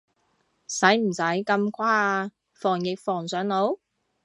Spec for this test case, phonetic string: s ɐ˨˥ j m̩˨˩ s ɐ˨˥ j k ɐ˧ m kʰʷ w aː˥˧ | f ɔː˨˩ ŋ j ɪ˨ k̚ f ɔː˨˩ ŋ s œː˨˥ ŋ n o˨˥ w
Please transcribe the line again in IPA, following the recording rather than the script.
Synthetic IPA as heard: s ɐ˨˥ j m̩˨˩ s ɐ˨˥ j k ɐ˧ m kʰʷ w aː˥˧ | f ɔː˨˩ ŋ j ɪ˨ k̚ f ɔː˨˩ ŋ s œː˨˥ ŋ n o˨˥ w